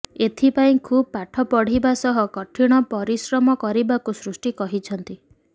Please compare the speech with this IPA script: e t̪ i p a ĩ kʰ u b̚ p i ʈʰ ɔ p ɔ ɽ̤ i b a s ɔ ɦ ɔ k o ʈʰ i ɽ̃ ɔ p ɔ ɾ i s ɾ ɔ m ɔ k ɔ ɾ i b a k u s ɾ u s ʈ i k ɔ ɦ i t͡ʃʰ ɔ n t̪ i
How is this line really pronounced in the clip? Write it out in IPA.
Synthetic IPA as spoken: e t̪ʰ i p a ĩ kʰ u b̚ p a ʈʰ ɔ p ɔ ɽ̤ i b a s ɔ ɦ ɔ k ɔ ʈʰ i ɽ̃ ɔ p ɔ ɾ i s ɾ ɔ m ɔ k ɔ ɾ i b a k u s ɾ u s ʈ i k ɔ ɦ i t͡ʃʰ ɔ n t̪ i